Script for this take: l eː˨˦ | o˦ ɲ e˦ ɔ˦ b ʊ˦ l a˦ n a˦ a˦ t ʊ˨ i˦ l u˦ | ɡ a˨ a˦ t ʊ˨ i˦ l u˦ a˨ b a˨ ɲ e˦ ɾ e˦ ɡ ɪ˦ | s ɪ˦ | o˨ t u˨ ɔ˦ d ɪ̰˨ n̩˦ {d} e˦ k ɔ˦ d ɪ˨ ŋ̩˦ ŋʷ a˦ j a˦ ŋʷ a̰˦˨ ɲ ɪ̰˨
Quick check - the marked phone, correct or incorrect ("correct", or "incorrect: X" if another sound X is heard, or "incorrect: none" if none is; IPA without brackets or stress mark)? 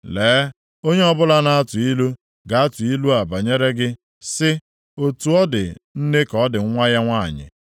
incorrect: n